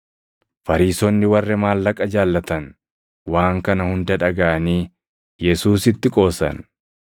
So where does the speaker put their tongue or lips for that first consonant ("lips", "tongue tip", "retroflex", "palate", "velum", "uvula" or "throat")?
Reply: lips